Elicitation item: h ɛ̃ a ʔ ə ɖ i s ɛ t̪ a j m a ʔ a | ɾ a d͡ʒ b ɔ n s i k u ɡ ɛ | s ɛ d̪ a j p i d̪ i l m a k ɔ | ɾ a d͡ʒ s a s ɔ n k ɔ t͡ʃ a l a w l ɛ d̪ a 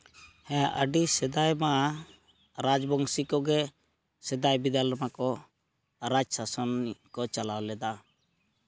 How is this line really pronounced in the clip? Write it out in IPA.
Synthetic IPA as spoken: h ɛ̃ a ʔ ə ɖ i s ɛ d̪ a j m a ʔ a | ɾ a d͡ʒ b ɔ ŋ s i k ɔ ɡ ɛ | s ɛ d̪ a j b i d̪ a l m a k ɔ | ɾ a d͡ʒ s a s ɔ n k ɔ t͡ʃ a l a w l ɛ d̪ a